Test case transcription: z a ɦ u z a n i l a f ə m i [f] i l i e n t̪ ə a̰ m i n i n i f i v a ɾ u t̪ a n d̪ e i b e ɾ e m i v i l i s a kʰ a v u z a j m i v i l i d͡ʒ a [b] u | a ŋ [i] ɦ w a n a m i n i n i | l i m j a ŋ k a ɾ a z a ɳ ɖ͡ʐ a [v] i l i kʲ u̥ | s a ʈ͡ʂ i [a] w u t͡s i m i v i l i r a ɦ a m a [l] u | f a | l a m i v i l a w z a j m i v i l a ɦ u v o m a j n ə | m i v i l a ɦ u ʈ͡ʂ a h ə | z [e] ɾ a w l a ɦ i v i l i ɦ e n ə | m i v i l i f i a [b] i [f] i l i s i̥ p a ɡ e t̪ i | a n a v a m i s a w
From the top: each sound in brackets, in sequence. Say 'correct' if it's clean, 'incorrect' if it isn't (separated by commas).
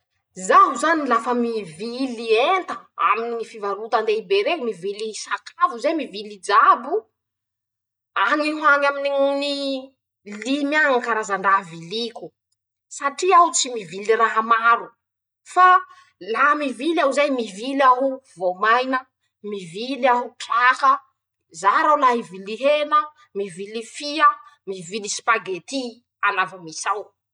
incorrect, correct, correct, correct, correct, incorrect, incorrect, incorrect, incorrect